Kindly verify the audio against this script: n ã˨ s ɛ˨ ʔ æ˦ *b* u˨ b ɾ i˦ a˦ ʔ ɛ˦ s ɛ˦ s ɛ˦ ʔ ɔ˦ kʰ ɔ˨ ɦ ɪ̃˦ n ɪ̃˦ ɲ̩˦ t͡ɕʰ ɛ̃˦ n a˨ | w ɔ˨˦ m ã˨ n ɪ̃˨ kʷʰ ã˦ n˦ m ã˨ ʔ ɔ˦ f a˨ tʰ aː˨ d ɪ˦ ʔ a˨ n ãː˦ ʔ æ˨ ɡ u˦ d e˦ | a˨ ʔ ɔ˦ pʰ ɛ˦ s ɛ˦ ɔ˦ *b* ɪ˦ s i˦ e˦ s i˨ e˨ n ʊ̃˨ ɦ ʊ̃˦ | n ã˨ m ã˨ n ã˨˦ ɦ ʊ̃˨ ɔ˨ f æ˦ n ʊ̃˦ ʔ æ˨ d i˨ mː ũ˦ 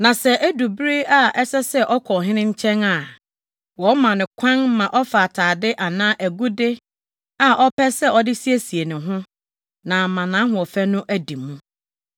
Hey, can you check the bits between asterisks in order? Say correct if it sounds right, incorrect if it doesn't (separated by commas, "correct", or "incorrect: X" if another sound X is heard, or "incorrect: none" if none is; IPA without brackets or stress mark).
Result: incorrect: d, incorrect: d